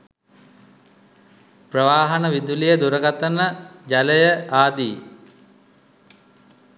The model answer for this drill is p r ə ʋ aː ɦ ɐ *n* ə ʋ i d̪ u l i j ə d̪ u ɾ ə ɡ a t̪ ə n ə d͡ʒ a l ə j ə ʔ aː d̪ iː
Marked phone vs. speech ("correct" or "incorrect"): correct